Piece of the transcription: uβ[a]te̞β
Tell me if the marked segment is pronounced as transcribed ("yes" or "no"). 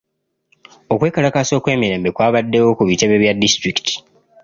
no